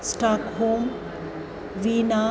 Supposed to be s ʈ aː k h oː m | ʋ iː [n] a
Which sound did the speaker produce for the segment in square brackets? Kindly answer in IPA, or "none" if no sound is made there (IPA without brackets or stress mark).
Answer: n